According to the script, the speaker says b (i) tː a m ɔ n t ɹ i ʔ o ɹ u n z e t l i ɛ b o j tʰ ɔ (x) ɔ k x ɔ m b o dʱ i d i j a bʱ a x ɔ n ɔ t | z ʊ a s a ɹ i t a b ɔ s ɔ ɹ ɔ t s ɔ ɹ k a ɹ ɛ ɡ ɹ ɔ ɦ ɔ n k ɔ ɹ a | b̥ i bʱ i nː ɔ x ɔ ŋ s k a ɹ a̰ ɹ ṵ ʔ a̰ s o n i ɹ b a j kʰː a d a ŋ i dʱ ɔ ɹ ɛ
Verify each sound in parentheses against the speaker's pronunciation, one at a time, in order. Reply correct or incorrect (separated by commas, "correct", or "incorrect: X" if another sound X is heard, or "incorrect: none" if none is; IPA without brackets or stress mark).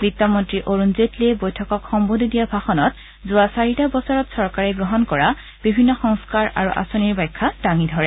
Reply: correct, incorrect: k